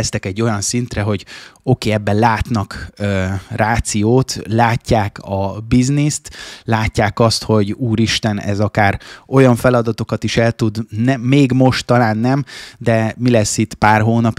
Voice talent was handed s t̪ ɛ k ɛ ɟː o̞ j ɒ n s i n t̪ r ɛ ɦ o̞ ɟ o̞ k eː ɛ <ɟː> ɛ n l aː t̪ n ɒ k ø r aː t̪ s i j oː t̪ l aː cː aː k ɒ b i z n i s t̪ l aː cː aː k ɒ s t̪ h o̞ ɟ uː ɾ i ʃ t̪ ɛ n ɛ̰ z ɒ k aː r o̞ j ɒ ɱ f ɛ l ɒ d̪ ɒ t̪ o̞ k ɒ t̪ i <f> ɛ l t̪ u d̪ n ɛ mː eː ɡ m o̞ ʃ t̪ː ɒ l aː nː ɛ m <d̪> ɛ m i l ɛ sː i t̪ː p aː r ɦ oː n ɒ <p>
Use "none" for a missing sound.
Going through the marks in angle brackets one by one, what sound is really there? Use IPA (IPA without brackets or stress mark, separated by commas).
bː, ʃ, d̪, p